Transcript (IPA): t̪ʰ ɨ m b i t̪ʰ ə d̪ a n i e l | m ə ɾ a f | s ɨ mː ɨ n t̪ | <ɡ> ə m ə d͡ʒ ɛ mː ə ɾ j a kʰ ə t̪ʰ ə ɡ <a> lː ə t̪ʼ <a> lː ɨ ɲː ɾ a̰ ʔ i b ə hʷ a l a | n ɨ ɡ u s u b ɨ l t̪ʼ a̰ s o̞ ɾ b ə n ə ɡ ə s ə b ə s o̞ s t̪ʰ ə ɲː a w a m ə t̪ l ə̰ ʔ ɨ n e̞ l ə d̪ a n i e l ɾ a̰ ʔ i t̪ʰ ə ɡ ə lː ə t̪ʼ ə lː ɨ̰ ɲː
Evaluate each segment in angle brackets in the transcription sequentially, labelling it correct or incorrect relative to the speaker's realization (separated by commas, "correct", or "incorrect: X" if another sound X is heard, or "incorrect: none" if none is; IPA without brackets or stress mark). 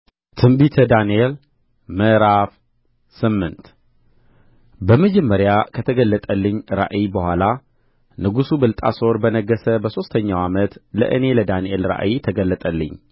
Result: incorrect: b, incorrect: ə, incorrect: ə